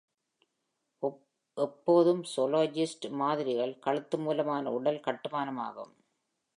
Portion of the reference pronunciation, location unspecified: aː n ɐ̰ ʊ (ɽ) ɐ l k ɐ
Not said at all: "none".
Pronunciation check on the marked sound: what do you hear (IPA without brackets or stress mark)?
ɽ